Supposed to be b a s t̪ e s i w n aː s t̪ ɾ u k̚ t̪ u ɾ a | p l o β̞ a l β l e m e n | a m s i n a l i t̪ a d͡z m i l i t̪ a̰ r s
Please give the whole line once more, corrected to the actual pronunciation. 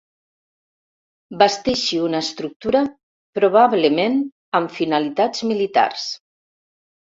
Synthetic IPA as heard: b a s t̪ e ʃ i u n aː s t̪ ɾ u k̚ t̪ u ɾ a | p ɾ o β̞ a β l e m e n | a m f i n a l i t̪ a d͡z m i l i t̪ a̰ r s